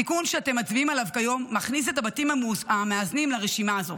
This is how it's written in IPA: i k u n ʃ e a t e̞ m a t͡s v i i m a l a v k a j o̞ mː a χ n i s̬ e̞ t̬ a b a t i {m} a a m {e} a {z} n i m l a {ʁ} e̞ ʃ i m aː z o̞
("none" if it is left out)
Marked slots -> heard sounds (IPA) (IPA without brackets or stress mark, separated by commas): m, e, z, ʁ